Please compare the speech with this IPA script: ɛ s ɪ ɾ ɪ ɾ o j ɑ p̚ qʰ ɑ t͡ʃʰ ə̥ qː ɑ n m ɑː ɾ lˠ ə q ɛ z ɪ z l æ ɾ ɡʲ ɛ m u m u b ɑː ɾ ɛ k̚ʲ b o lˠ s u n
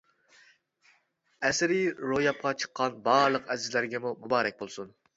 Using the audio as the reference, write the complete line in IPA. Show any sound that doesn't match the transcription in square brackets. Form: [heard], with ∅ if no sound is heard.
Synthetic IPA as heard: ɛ s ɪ ɾ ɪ ɾ o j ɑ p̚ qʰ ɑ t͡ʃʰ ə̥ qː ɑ n [b] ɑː ɾ lˠ ə q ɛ z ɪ z l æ ɾ ɡʲ ɛ m u m u b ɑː ɾ ɛ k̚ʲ b o lˠ s u n